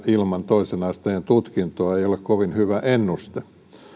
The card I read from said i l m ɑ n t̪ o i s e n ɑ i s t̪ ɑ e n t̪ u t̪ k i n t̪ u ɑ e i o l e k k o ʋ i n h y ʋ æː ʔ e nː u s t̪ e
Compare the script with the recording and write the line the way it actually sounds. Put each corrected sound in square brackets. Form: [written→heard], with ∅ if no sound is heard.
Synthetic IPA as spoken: i l m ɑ n t̪ o i s e n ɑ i s t̪ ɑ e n t̪ u t̪ k i n t̪ [u→o] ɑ e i o l e k k o ʋ i n h y ʋ [æː→æ] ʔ e nː u s t̪ e